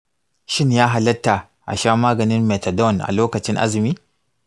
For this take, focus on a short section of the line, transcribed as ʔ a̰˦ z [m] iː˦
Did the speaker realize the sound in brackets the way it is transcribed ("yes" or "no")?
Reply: yes